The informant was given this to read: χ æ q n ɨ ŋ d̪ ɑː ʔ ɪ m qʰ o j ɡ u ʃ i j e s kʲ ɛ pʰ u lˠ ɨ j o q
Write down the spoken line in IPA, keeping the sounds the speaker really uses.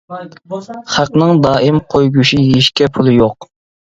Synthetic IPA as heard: χ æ q n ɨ ŋ d̪ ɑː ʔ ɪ m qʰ o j ɡ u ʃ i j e ʃ kʲ ɛ pʰ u lˠ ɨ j o q